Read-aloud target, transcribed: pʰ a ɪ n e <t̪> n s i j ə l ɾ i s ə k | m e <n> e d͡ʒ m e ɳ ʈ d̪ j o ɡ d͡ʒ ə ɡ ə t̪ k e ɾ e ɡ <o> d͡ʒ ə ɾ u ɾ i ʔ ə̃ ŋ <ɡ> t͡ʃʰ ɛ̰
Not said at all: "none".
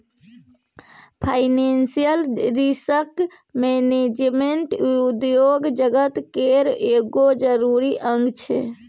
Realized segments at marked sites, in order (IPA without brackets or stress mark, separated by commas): none, n, o, ɡ